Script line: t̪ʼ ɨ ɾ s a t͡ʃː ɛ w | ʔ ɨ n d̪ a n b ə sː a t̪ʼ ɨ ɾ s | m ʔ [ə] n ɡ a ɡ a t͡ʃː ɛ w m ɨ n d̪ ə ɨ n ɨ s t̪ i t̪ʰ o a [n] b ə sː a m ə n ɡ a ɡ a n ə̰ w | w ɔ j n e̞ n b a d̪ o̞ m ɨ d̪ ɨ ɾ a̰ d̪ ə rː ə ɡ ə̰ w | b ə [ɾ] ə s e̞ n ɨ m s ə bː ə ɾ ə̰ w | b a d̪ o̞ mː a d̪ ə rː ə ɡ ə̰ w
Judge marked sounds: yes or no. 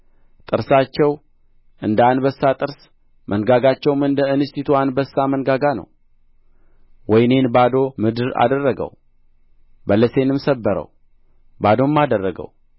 yes, yes, no

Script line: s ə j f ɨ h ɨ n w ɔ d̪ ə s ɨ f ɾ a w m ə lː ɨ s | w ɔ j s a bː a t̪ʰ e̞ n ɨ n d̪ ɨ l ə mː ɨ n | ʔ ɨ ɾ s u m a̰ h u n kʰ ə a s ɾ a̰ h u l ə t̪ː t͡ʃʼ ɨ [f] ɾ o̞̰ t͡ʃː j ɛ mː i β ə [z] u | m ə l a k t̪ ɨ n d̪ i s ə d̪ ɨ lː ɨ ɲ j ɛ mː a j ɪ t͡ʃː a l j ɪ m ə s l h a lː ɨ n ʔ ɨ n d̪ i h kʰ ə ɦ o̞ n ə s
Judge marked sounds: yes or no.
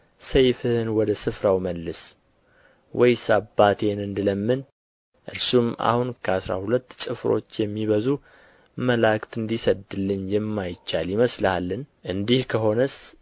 yes, yes

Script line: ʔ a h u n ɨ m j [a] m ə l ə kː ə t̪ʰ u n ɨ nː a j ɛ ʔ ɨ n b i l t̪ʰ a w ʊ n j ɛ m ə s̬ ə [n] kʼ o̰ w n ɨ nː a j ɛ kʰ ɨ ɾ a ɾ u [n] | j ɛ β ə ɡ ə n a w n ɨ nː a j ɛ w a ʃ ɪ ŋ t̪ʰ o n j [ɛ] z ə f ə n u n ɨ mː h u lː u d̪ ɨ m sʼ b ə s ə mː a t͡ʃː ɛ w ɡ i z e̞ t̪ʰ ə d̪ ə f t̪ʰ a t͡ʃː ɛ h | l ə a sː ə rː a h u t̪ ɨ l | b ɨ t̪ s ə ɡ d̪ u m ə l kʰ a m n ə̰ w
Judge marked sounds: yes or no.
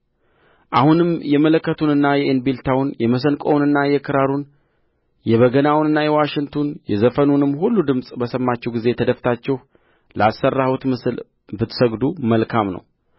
no, yes, yes, yes

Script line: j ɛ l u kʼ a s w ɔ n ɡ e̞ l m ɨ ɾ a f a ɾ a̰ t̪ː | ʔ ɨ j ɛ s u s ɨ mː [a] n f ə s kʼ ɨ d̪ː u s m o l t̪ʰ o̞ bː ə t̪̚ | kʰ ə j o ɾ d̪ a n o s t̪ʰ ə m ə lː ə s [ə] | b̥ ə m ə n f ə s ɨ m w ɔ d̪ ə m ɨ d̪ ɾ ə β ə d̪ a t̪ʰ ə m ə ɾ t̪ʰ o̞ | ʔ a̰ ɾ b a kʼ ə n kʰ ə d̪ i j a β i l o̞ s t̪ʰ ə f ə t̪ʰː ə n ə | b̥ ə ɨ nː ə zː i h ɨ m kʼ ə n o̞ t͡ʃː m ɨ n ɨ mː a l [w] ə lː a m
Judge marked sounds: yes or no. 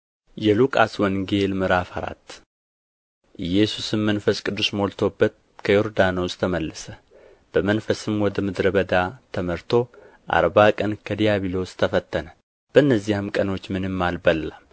no, yes, no

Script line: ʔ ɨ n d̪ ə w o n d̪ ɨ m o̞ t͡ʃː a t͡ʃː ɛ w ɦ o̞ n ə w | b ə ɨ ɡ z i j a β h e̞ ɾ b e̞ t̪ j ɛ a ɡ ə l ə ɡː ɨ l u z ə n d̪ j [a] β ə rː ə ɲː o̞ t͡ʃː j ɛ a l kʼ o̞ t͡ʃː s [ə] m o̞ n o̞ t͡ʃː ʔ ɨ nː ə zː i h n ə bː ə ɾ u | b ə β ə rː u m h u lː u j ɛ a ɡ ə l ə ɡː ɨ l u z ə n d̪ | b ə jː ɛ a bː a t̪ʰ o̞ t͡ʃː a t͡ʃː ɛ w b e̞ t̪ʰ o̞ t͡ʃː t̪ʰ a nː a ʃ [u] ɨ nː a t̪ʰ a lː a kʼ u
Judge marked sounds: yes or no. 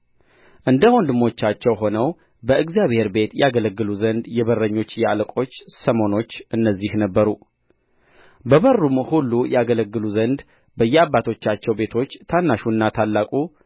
no, yes, yes

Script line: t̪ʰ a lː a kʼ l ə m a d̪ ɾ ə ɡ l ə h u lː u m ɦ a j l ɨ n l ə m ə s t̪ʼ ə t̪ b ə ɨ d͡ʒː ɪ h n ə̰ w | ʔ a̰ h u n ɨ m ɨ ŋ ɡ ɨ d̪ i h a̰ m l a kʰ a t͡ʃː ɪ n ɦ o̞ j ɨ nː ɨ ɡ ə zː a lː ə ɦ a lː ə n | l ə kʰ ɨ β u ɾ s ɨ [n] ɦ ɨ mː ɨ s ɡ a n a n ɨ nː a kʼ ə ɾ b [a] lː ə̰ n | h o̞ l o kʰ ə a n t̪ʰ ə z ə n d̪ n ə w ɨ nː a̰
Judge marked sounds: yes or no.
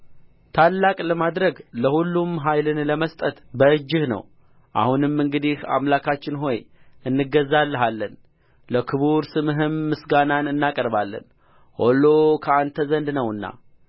no, yes

